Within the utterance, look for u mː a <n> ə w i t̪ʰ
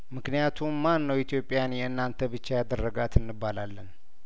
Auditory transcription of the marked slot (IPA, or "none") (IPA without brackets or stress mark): nː